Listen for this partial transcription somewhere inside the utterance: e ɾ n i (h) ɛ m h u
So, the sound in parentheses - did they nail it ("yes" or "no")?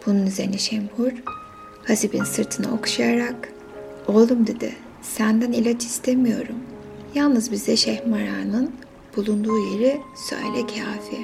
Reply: no